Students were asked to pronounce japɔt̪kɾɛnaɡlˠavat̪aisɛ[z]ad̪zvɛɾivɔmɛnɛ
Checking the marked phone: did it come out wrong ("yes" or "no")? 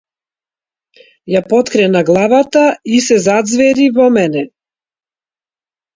no